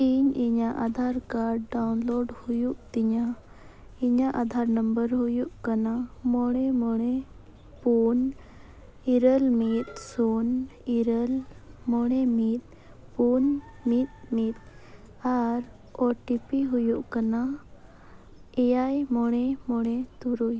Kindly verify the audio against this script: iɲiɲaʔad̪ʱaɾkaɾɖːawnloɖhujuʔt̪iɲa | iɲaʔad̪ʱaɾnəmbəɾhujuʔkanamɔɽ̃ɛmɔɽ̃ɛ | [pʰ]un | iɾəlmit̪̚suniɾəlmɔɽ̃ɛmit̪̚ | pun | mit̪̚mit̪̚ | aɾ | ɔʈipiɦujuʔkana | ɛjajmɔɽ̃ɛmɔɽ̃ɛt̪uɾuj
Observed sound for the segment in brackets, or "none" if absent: p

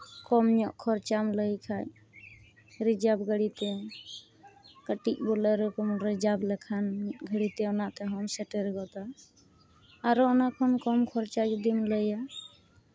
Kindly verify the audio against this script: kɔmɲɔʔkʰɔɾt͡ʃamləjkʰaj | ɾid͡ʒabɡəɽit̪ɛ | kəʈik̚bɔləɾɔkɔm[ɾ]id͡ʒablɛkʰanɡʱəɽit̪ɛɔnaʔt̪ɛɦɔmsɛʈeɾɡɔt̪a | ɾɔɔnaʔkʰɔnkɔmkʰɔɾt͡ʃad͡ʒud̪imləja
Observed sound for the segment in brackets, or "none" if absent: ɾ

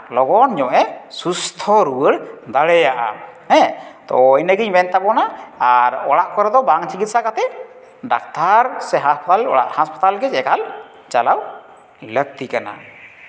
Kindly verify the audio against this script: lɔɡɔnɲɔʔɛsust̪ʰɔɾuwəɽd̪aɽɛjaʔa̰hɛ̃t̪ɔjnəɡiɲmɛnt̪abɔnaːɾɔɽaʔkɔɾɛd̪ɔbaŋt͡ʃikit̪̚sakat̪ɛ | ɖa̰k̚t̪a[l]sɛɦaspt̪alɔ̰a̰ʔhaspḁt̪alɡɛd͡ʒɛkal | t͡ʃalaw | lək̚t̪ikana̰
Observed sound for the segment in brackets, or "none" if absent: ɾ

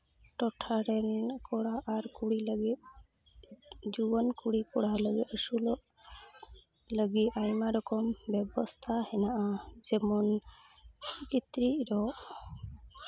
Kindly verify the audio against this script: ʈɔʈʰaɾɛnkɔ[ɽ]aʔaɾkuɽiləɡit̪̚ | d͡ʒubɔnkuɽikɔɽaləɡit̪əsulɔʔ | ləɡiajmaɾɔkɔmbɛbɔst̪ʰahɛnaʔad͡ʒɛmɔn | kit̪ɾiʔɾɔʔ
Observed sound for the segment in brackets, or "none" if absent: ɽ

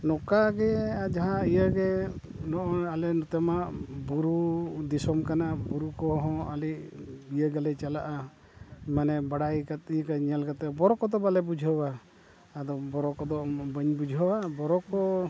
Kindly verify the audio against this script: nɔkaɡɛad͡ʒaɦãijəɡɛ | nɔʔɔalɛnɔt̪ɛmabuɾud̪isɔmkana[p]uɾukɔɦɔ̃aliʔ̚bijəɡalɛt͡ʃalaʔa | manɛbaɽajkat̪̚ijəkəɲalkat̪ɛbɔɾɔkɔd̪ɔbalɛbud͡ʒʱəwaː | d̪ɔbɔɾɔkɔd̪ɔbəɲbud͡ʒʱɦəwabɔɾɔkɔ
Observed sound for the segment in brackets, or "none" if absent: b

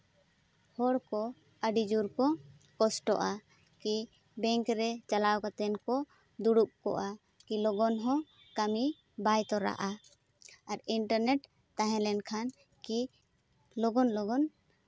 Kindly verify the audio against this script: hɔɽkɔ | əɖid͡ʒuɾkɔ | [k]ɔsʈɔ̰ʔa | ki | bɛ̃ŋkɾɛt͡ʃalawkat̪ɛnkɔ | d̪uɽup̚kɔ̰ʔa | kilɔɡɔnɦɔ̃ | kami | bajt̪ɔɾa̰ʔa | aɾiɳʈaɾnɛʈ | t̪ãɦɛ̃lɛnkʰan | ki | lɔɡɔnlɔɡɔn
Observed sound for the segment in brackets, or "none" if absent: k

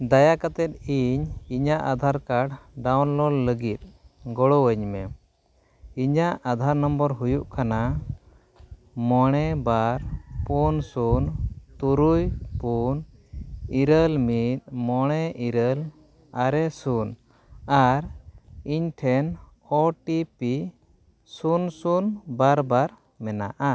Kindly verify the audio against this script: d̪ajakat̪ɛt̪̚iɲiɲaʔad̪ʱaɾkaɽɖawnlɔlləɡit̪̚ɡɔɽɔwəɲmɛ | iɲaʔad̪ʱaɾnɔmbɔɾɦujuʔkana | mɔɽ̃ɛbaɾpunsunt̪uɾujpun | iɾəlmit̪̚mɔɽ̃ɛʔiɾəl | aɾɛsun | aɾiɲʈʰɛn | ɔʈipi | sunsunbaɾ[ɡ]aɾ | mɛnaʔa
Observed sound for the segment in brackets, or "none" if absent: b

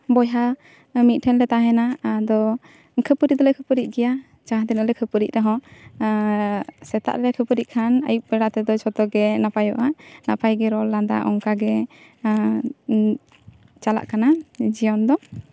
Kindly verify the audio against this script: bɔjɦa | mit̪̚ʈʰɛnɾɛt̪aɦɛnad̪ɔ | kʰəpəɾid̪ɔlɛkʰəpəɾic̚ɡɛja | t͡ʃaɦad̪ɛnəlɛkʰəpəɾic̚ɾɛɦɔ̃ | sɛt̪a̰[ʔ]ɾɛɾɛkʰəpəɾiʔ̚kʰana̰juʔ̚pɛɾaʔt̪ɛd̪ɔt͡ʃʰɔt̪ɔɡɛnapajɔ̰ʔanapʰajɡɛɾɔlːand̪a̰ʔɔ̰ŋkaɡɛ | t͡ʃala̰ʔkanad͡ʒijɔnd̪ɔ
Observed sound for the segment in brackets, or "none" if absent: ʔ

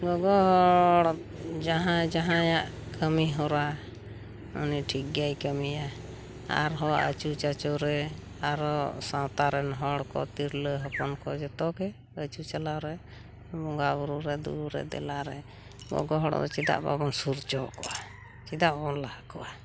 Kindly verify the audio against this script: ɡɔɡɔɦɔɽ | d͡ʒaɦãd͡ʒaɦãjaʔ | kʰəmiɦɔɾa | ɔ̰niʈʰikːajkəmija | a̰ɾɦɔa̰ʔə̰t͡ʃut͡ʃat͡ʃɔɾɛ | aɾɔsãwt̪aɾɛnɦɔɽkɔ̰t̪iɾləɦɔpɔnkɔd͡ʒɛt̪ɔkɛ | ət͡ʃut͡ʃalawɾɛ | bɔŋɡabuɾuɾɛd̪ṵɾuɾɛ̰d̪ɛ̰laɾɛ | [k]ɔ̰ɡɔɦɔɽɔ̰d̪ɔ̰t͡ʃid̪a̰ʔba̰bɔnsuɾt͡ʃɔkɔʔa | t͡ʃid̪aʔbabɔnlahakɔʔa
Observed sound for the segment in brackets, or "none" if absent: ɡ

